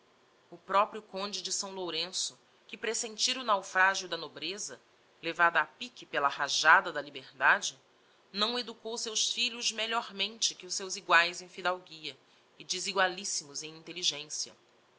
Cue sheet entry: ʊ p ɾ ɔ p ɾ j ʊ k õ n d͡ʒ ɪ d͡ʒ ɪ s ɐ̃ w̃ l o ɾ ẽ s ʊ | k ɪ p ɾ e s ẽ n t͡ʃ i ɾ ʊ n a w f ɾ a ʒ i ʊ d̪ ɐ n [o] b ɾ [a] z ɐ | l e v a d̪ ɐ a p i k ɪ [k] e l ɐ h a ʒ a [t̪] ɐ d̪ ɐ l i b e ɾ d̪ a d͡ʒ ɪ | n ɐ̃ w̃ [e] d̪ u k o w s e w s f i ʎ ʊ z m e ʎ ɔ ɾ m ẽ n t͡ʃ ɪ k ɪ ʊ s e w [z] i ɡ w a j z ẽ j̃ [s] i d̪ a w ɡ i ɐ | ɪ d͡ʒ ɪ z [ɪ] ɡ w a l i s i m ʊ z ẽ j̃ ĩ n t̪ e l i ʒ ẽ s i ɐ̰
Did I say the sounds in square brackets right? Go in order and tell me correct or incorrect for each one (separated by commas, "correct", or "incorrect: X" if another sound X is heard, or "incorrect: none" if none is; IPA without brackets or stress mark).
correct, incorrect: e, incorrect: p, incorrect: d̪, correct, correct, incorrect: f, incorrect: i